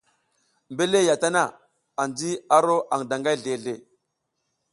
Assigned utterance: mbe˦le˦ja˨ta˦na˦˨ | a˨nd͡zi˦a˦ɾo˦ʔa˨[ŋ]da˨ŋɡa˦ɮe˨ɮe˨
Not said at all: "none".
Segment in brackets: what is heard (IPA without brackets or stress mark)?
ŋ